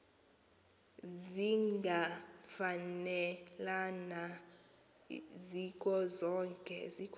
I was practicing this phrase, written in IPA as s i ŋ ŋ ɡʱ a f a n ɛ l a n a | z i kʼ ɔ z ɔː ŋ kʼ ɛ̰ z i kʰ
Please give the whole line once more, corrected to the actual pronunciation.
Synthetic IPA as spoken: z i ŋ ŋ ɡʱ a f a n ɛ l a n a | z i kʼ ɔ z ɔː ŋ kʼ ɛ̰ z i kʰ